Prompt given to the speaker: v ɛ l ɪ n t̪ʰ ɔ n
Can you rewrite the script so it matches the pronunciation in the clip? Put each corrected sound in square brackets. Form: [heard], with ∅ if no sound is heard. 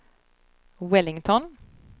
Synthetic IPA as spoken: [w] ɛ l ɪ [ŋ] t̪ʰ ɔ n